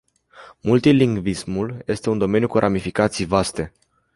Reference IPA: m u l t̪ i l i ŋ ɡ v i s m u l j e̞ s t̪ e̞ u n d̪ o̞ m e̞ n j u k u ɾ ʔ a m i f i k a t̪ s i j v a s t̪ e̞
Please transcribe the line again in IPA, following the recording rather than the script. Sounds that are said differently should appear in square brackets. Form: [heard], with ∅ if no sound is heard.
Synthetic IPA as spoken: m u l t̪ i l i ŋ ɡ v i s m u l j e̞ s t̪ e̞ u n d̪ o̞ m e̞ n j u k u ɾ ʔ a m i f i k a t̪ s i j v a s t̪ e̞

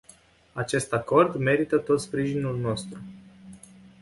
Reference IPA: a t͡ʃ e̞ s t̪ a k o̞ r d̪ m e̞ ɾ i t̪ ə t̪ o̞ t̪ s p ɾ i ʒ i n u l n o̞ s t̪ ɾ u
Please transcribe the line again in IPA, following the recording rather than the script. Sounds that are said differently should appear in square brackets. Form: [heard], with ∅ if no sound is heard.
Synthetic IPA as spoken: a t͡ʃ e̞ s t̪ a k o̞ r d̪ m e̞ ɾ i t̪ ə t̪ o̞ t̪ s p ɾ i ʒ i n u l n o̞ s t̪ ɾ u

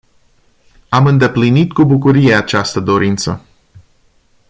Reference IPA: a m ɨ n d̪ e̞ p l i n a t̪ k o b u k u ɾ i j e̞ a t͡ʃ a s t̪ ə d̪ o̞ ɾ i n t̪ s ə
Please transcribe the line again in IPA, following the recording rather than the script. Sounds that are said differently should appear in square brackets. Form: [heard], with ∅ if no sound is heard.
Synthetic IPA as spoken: a m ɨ n d̪ e̞ p l i n [i] t̪ k [u] b u k u ɾ i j e̞ a t͡ʃ a s t̪ ə d̪ o̞ ɾ i n t̪ s ə

